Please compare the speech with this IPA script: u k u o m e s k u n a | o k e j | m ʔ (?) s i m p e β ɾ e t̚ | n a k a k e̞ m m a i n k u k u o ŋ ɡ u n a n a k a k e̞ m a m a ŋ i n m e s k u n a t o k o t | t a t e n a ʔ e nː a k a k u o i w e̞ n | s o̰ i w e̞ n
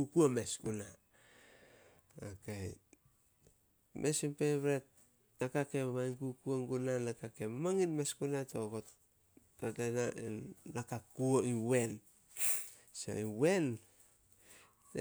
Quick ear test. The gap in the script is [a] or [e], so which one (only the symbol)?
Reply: e